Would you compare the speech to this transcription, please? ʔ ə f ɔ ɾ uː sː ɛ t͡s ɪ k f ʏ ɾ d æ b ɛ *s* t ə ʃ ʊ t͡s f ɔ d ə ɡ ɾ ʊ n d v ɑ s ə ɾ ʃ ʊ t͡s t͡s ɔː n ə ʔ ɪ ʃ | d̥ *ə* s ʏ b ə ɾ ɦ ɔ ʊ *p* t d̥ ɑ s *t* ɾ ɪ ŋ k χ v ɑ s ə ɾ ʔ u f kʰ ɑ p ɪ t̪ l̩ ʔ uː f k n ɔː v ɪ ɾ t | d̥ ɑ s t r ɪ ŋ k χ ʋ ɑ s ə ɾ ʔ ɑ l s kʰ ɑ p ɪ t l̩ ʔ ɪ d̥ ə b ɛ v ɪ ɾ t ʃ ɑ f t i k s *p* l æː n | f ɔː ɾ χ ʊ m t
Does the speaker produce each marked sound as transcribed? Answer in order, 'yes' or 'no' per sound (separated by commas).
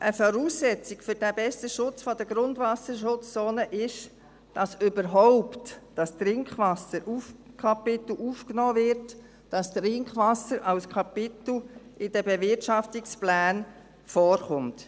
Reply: yes, no, yes, yes, yes